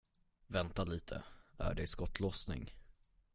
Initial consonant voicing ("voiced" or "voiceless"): voiced